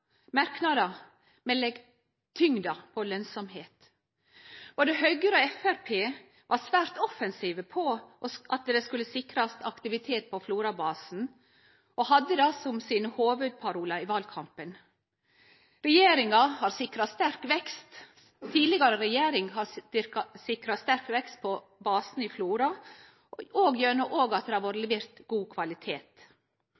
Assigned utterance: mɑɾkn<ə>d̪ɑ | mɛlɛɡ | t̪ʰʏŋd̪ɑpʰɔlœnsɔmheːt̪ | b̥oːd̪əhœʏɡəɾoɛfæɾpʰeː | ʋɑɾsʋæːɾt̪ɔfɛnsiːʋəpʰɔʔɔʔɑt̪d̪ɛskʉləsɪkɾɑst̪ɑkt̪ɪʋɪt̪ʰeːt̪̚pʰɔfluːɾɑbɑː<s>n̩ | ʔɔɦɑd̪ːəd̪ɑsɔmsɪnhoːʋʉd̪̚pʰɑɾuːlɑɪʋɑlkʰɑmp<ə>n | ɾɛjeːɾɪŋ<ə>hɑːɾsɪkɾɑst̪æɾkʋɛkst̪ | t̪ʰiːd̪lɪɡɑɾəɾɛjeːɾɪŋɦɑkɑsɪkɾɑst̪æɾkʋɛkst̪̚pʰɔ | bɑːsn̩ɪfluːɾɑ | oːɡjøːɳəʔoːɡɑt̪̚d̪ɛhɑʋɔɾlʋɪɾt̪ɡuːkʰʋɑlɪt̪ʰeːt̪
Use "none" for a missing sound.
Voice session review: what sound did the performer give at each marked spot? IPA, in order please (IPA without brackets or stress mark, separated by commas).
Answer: ɑ, s, ə, ɑ